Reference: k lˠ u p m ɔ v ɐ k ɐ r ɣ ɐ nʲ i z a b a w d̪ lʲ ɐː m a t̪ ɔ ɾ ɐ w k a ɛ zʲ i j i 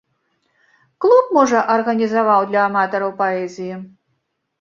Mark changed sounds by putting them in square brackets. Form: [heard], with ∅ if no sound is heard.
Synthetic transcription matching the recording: k lˠ u p m ɔ [ʐ] ɐ [ʔ] ɐ r ɣ ɐ nʲ i z a [v] a w d̪ lʲ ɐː m a t̪ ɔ ɾ ɐ w [p] a ɛ zʲ i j i